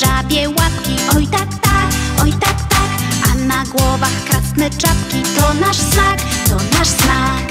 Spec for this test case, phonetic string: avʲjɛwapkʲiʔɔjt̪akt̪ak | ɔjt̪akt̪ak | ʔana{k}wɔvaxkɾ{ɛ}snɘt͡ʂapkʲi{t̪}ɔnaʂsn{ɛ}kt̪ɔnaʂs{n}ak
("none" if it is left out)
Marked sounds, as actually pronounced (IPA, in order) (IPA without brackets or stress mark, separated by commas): ɡ, a, t̪, a, n